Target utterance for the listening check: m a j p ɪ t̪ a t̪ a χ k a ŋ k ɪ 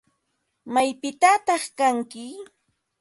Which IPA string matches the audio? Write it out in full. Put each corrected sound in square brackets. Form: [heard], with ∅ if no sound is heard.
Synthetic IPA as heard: m a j p ɪ t̪ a t̪ [ɑ] χ k a ŋ k ɪ